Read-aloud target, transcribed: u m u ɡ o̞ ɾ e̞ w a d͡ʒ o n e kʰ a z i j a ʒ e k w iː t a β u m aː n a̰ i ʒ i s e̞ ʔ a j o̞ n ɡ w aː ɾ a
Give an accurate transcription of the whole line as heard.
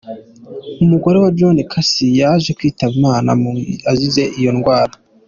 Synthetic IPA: u m u ɡ o̞ ɾ e̞ w a d͡ʒ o n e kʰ a s i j a ʒ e k w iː t a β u m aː n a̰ a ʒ i z e̞ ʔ i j o̞ n ɡ w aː ɾ a

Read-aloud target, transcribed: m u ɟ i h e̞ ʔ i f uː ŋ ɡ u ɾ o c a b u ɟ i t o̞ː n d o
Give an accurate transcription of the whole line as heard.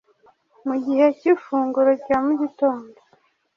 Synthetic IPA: m u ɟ i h e̞ c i f uː ŋ ɡ u ɾ o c a m u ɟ i t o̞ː n d o

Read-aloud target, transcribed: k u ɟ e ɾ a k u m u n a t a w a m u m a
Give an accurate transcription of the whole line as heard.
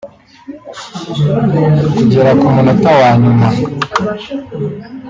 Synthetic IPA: k u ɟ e ɾ a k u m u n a t a w a ɲ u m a

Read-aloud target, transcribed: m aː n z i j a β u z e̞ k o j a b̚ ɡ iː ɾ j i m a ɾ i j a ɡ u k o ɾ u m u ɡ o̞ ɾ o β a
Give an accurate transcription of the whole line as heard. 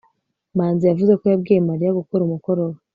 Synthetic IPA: m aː n z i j a v u z e̞ k o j a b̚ ɡ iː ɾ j e m a ɾ i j a ɡ u k o ɾ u m u k o̞ ɾ o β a

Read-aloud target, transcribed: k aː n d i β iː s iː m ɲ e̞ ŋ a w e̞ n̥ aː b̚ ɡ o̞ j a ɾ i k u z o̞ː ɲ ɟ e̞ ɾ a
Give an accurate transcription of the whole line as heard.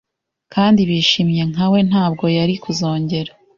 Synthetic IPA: k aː n d i β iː ʃ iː m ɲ e̞ ŋ a w e̞ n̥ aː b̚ ɡ o̞ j a ɾ i k u z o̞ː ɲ ɟ e̞ ɾ a

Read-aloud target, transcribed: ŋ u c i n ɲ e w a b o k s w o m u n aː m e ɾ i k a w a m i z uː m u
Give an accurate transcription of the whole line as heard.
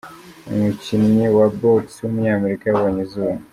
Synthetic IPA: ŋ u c i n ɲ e w a b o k s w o m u ɲ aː m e ɾ i k a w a ɲ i z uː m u

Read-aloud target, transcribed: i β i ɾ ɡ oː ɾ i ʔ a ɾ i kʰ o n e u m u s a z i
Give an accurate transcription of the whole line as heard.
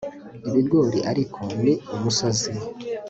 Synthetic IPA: i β i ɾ ɡ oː ɾ i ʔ a ɾ i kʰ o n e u m u s a z i

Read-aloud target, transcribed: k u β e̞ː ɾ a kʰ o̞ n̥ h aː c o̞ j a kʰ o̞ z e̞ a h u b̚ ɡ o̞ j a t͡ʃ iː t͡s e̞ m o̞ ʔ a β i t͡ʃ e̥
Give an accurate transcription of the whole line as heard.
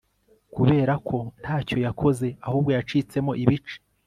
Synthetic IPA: k u β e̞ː ɾ a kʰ o̞ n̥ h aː c o̞ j a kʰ o̞ z e̞ a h uː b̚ ɡ o̞ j a t͡ʃ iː t͡s e̞ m o̞ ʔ i β i t͡ʃ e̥

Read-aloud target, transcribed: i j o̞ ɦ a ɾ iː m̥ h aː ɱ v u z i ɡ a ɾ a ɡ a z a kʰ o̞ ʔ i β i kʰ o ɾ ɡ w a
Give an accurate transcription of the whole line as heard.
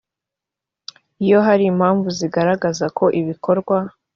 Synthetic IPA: i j o̞ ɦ a ɾ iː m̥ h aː ɱ v u z i ɡ a ɾ a ɡ a z a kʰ o̞ ʔ i β i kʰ o ɾ ɡ w a

